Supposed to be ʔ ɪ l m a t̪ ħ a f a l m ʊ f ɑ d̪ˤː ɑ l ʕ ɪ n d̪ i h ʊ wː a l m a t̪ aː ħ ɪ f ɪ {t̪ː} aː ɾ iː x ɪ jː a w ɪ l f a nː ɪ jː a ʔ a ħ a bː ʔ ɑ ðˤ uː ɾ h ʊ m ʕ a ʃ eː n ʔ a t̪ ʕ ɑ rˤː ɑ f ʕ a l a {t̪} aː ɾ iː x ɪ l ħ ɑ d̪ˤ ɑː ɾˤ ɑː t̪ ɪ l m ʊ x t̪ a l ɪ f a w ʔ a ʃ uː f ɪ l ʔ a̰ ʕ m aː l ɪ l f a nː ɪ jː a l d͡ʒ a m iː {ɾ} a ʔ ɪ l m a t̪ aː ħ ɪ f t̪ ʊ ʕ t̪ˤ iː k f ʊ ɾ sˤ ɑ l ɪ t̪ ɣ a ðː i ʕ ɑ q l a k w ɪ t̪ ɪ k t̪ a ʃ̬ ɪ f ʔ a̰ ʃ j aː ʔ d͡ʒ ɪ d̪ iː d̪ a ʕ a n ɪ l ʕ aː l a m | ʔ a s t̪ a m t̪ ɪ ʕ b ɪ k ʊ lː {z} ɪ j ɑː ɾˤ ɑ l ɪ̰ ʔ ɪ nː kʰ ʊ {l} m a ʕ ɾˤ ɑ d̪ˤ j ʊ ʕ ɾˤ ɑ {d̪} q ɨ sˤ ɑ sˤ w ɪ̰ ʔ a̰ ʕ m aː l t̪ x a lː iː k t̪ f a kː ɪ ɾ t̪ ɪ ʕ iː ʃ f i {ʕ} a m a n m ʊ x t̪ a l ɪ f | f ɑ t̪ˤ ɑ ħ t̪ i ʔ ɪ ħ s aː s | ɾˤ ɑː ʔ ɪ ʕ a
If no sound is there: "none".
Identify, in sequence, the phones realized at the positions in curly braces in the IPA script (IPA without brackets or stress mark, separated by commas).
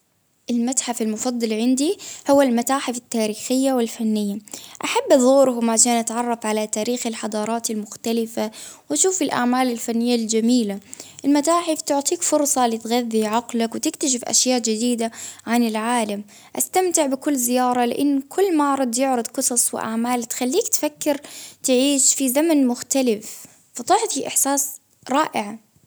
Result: t̪ː, t̪, l, z, lː, d̪, z